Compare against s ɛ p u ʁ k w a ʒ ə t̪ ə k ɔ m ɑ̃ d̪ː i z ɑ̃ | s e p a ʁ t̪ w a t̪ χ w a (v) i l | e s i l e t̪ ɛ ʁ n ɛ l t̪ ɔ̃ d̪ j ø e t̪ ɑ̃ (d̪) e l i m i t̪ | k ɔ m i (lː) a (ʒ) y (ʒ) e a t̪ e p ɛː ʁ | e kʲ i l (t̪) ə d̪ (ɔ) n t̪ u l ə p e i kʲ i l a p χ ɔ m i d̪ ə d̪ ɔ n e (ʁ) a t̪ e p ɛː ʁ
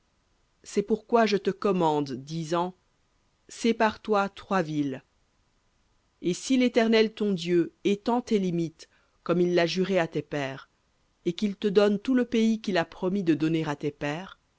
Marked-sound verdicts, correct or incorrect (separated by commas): correct, incorrect, correct, correct, incorrect, correct, correct, correct